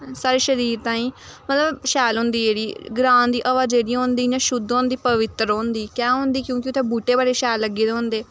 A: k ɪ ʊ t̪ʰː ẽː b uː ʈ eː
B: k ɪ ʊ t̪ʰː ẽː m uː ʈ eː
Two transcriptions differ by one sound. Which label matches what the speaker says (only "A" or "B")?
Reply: A